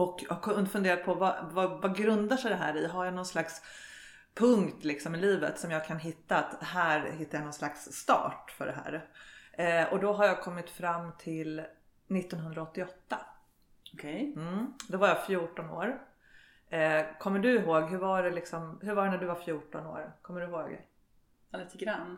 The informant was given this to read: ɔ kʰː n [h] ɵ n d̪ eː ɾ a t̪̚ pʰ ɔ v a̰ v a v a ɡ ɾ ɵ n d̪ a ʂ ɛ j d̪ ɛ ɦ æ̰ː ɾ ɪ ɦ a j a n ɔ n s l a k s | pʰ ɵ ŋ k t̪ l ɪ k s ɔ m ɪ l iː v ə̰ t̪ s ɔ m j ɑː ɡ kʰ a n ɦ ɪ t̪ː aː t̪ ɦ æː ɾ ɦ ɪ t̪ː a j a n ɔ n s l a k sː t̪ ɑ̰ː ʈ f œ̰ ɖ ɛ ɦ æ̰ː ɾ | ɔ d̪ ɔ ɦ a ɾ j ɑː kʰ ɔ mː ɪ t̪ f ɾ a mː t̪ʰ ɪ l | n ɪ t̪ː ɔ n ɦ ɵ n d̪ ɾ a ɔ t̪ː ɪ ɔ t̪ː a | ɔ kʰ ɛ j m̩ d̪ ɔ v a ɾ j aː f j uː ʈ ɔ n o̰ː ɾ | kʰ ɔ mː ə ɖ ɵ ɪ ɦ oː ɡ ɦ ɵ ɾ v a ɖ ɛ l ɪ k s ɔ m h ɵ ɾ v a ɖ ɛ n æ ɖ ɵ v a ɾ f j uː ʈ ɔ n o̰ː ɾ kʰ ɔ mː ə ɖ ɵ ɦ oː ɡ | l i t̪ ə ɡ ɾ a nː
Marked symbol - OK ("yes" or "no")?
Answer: no